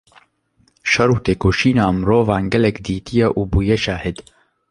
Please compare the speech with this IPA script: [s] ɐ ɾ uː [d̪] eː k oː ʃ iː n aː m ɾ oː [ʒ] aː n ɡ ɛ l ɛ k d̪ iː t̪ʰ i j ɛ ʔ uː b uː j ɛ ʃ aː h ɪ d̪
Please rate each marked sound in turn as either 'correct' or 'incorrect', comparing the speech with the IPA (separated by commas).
incorrect, incorrect, incorrect